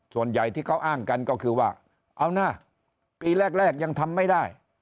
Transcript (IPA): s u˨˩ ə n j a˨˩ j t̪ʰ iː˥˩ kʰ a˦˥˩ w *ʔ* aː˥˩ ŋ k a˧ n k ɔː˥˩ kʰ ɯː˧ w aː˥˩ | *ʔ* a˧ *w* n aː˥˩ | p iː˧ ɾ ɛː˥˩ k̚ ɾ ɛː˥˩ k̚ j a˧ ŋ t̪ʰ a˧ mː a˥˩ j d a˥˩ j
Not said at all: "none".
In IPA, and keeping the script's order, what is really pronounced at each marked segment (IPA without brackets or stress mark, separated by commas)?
ʔ, ʔ, w